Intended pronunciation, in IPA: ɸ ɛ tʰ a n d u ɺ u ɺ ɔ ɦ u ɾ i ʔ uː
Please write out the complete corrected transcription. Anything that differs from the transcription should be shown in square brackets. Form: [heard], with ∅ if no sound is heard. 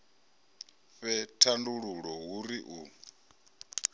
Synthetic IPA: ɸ ɛ tʰ a n d u ɺ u ɺ ɔ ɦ u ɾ i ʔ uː